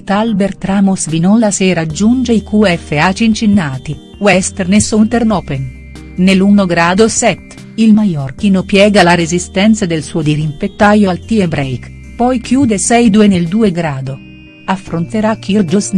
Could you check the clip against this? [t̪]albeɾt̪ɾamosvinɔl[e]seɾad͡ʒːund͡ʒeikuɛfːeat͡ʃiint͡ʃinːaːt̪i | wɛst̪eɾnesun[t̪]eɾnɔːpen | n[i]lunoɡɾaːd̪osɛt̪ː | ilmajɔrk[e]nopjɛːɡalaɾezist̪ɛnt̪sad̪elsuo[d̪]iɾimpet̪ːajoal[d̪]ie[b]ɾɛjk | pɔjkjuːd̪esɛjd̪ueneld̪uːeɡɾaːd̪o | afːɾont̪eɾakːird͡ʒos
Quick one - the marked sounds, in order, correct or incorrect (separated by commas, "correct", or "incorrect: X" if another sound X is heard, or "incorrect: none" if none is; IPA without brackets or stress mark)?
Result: correct, incorrect: a, correct, incorrect: e, incorrect: i, correct, incorrect: t̪, correct